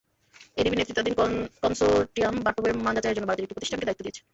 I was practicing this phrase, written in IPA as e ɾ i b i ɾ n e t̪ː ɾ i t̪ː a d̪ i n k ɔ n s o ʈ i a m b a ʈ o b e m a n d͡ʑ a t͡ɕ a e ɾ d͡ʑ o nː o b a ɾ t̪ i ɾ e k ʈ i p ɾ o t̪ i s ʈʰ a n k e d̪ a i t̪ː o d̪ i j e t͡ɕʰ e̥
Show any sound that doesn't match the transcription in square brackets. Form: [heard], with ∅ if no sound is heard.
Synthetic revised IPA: e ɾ i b i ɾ n e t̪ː ɾ i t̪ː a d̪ i n k ɔ n s o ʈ i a m b a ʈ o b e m a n d͡ʑ a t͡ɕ a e ɾ d͡ʑ o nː o b a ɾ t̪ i ɾ e k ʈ i p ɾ o t̪ i [ʃ] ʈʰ a n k e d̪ a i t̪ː o d̪ i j e t͡ɕʰ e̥